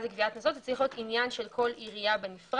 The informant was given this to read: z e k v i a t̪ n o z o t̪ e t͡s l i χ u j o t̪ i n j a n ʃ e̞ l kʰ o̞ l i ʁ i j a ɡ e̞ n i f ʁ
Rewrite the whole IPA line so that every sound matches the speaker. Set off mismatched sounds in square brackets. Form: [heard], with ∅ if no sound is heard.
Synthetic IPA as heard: z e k v i a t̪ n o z o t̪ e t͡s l i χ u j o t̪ i n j a n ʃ e̞ l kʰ o̞ l i ʁ i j a [b] e̞ n i f ʁ